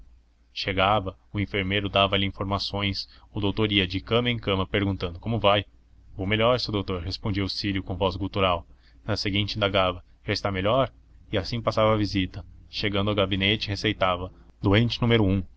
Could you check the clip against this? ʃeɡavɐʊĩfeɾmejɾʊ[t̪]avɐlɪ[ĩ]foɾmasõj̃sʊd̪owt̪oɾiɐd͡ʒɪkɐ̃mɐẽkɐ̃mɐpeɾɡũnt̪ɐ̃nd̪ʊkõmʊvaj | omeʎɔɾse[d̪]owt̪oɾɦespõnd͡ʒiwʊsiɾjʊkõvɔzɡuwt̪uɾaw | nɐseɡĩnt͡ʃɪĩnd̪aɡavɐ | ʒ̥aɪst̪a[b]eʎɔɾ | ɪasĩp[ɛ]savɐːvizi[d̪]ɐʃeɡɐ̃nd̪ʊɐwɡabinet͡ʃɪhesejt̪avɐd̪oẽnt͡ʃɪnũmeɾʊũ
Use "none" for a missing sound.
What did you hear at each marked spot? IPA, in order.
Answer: d̪, ĩ, d̪, m, a, t̪

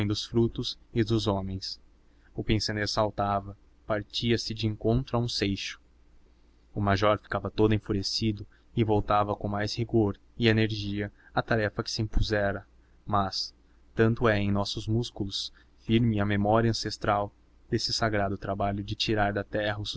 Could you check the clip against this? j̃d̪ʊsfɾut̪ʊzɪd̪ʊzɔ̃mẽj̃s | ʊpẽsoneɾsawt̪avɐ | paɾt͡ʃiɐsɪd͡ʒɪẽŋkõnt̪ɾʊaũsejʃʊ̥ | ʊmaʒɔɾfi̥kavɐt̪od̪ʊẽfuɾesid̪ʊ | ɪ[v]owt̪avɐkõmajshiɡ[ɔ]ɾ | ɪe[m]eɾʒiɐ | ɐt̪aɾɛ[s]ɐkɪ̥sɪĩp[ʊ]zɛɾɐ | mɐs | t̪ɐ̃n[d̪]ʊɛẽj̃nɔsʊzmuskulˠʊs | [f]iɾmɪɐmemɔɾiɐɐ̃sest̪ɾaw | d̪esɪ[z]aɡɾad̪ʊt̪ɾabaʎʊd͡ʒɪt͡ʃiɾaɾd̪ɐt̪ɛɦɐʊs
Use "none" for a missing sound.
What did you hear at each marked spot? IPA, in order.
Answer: v, o, n, f, u, t̪, f, s

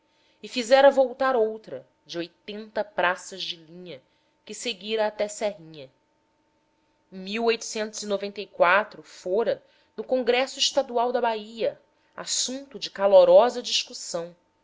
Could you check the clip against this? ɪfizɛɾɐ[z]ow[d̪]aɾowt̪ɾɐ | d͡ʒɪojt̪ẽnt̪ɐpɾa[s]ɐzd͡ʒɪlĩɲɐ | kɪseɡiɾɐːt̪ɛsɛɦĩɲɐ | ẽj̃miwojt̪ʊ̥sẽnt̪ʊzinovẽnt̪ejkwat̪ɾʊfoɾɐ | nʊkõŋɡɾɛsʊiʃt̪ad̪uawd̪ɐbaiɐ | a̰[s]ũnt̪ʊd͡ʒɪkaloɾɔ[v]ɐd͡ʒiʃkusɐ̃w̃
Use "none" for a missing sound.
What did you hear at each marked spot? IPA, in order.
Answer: v, t̪, s, s, z

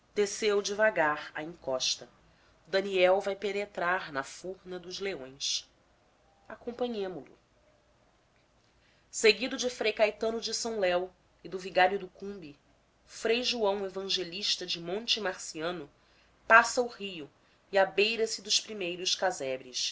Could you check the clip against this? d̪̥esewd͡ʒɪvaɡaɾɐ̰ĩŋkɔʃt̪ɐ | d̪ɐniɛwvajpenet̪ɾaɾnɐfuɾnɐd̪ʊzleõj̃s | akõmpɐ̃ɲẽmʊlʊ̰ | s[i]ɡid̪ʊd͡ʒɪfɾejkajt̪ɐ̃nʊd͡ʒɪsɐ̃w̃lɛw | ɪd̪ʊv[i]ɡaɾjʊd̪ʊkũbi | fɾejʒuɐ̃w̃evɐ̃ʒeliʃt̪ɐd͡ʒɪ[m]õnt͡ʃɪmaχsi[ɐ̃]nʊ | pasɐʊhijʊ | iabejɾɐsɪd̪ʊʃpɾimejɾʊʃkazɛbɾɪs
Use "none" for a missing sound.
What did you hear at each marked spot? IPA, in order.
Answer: e, i, m, ɐ̃

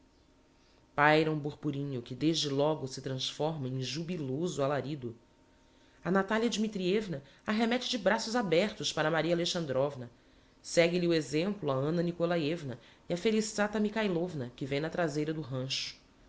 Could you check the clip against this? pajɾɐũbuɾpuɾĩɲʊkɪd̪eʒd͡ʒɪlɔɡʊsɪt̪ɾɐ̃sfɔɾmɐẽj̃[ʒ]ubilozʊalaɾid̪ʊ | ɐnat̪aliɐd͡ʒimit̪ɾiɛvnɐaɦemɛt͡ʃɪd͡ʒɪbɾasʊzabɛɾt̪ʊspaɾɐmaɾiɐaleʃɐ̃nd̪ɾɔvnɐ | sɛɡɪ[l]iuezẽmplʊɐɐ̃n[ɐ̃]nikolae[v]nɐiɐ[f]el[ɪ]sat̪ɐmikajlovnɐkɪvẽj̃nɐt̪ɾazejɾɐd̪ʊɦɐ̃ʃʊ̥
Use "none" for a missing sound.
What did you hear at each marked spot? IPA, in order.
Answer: ʒ, l, ɐ, v, f, i

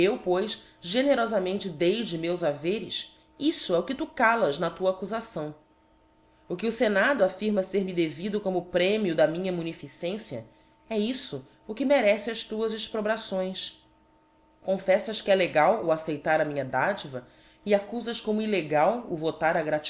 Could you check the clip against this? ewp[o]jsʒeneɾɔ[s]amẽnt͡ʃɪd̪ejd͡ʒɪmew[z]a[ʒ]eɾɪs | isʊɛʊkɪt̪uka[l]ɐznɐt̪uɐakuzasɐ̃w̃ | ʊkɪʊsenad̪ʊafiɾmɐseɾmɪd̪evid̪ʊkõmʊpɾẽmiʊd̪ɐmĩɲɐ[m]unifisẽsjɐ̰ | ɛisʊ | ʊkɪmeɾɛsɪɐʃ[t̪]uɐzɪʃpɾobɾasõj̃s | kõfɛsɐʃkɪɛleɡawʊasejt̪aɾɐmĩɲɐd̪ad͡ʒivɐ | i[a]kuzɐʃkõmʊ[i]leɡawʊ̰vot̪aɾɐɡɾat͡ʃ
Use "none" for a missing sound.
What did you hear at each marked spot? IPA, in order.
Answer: o, z, z, v, l, m, t̪, a, i

